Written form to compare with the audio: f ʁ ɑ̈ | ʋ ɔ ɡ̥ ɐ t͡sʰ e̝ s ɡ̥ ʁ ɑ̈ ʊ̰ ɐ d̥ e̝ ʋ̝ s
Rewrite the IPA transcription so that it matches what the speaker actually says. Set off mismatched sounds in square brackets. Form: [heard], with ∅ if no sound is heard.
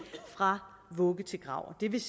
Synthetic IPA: f ʁ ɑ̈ | ʋ ɔ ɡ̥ [ə] t͡sʰ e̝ [∅] ɡ̥ ʁ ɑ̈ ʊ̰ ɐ d̥ e̝ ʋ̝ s